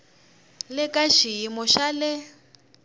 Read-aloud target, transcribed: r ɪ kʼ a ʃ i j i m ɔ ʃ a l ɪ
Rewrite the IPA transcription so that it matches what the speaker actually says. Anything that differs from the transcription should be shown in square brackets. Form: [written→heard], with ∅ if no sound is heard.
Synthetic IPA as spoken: [r→l] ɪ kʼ a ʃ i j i m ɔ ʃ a l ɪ